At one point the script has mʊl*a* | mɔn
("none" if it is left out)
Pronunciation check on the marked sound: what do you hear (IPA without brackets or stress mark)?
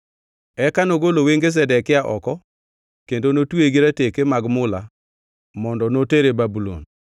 a